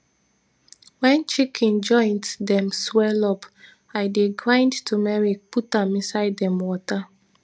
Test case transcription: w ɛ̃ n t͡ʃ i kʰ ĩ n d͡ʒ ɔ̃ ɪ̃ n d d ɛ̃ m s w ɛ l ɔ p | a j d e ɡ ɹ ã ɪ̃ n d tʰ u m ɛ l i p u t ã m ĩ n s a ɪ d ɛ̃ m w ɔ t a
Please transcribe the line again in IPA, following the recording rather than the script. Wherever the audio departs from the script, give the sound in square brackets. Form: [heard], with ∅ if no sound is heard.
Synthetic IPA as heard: w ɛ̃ n t͡ʃ i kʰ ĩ n d͡ʒ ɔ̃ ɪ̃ n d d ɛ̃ m s w ɛ l ɔ p | a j d e ɡ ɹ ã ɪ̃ n d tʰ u m ɛ [ɹ] i p u t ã m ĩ n s a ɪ d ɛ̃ m w ɔ t a